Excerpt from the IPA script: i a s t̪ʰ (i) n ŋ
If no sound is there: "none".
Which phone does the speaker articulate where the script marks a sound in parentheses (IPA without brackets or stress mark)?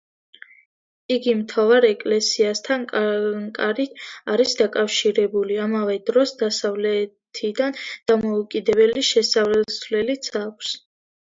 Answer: a